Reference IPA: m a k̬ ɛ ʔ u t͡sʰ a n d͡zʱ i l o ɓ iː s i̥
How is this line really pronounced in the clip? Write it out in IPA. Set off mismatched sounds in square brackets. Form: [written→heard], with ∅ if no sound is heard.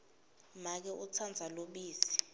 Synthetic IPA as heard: m a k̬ ɛ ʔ u t͡sʰ a n d͡zʱ [i→a] l o ɓ iː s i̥